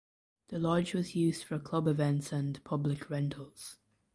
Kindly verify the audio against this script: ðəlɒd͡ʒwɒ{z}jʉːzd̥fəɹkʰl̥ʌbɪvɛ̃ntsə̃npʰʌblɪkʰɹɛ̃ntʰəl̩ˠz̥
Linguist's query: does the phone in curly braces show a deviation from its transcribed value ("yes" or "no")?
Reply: no